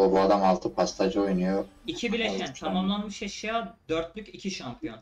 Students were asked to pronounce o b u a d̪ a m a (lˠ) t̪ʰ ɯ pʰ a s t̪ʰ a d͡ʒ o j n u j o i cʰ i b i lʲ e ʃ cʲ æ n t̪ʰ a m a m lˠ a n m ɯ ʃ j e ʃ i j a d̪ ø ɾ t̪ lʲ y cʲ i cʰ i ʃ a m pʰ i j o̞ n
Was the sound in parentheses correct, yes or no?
yes